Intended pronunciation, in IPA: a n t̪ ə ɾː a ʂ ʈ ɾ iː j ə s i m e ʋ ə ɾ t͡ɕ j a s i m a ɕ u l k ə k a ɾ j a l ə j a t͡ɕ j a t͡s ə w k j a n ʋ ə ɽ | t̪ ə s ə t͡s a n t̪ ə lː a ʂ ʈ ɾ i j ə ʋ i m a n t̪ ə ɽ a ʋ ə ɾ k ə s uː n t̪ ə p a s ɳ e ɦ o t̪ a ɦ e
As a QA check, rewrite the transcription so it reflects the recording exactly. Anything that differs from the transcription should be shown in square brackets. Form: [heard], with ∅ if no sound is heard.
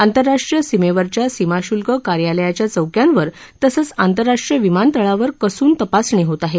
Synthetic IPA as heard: a n t̪ ə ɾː a ʂ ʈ ɾ [i] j ə s i m e ʋ ə ɾ t͡ɕ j a s i m a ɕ u l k ə k a ɾ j a l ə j a t͡ɕ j a t͡s ə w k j a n ʋ ə [ɾ] | t̪ ə s ə t͡s a n t̪ ə [ɾː] a ʂ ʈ ɾ i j ə ʋ i m a n t̪ ə [ɭ] a ʋ ə ɾ k ə s uː n t̪ ə p a s ɳ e ɦ o t̪ a ɦ e